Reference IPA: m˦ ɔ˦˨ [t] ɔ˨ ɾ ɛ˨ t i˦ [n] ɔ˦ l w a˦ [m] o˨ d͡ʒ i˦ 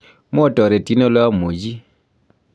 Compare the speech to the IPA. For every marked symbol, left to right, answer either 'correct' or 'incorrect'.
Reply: correct, correct, correct

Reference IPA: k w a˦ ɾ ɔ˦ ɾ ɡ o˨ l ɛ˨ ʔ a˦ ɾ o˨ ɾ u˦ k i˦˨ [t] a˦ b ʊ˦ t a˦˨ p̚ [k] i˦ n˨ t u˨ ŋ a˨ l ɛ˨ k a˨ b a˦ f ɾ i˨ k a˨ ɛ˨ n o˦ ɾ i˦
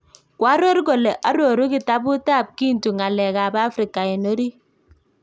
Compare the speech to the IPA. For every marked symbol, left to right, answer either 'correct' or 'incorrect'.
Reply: correct, correct

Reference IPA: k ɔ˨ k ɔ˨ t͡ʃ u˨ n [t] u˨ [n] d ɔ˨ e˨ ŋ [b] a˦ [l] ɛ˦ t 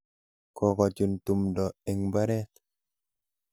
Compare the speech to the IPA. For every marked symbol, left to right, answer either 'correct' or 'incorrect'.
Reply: correct, incorrect, correct, incorrect

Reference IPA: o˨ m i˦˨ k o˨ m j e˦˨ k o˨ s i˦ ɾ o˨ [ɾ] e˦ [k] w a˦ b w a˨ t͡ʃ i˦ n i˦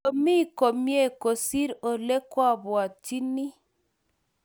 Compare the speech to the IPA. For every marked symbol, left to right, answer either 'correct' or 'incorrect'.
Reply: incorrect, correct

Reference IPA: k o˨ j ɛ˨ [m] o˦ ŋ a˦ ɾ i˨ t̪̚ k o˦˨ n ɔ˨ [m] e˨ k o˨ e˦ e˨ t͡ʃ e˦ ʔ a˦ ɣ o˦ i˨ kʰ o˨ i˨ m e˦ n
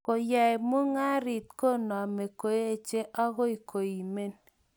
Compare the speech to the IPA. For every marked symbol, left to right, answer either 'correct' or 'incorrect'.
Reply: correct, correct

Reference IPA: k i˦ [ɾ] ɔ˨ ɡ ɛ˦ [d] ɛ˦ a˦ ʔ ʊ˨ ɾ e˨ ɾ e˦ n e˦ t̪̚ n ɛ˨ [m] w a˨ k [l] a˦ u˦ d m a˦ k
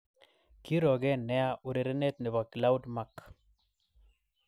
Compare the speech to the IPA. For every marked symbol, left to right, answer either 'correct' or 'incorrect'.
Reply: correct, incorrect, incorrect, correct

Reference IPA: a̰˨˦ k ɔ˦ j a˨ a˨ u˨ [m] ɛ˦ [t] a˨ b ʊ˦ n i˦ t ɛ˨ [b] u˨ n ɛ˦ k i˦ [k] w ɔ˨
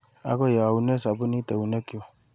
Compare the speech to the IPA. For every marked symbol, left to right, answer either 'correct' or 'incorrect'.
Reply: incorrect, incorrect, incorrect, incorrect

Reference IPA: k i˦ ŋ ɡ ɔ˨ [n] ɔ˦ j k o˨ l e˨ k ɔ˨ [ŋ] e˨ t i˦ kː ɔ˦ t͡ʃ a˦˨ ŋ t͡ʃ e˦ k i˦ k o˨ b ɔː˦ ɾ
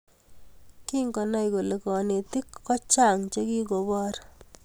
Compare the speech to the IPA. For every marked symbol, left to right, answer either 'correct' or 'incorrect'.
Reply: correct, incorrect

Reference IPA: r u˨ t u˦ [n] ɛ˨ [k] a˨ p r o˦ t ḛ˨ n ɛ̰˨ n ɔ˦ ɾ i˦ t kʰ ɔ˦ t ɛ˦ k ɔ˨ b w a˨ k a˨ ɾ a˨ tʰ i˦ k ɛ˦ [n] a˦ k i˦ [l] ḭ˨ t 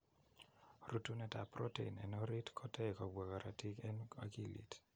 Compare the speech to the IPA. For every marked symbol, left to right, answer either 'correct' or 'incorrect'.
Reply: correct, incorrect, correct, correct

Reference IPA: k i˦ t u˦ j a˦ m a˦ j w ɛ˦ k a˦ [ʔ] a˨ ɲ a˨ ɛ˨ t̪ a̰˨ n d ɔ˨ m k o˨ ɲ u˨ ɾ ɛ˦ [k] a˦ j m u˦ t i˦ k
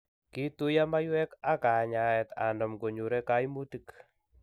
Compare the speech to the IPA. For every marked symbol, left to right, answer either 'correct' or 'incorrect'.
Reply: incorrect, correct

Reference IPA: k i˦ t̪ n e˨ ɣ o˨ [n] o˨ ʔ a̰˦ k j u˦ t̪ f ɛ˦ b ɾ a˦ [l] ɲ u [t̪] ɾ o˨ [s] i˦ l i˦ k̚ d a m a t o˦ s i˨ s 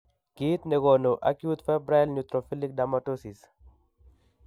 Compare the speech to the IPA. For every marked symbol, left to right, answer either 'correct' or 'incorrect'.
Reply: correct, correct, correct, incorrect

